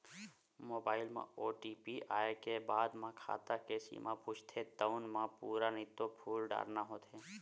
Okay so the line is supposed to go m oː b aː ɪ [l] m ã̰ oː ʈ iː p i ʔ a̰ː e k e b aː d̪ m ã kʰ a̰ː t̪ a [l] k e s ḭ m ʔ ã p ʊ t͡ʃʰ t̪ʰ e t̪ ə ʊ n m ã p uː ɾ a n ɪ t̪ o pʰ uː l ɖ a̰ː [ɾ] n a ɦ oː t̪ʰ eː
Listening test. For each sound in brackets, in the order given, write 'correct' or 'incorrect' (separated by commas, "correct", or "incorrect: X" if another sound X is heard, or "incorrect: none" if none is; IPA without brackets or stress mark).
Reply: correct, incorrect: none, correct